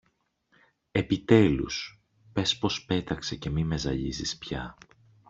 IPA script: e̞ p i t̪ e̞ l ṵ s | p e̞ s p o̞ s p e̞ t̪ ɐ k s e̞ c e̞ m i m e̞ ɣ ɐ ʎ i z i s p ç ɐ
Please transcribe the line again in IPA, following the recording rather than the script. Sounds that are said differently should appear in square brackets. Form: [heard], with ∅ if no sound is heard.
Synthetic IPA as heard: e̞ p i t̪ e̞ l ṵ s | p e̞ s p o̞ s p e̞ t̪ ɐ k s e̞ c e̞ m i m e̞ [z] ɐ ʎ i z i s p ç ɐ